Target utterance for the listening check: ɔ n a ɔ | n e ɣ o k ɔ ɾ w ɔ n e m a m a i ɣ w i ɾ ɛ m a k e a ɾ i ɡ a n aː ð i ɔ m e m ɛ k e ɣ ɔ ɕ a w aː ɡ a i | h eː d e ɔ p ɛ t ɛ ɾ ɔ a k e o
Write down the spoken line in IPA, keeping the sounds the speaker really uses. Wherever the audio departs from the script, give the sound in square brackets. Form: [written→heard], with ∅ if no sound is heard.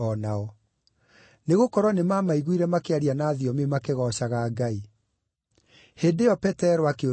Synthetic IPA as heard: ɔ n a ɔ | n e ɣ o k ɔ ɾ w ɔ n e m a m a i ɣ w i ɾ ɛ m a k e a ɾ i [ɡ→∅] a n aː ð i ɔ m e m [ɛ→a] k e ɣ ɔ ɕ a [w→ɣ] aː ɡ a i | h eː d e ɔ p ɛ t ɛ ɾ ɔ a k e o